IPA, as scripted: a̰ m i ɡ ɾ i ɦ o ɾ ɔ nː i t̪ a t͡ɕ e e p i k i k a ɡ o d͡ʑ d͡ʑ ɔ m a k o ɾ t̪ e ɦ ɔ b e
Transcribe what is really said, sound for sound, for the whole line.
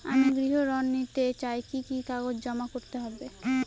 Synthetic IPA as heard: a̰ m i ɡ ɾ i ɦ o ɾ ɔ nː i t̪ e t͡ɕ a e k i k i k a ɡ o d͡ʑ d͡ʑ ɔ m a k o ɾ t̪ e ɦ ɔ b e